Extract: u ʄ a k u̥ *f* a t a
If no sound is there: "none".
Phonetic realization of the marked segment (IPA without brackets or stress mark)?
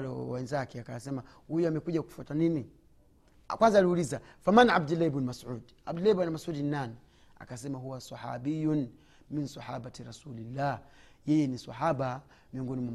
f